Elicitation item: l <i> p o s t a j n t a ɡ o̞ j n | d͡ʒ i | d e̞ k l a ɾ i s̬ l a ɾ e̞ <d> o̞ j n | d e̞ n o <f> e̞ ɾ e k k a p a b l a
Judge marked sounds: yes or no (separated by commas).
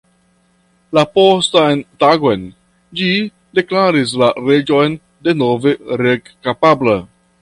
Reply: no, no, no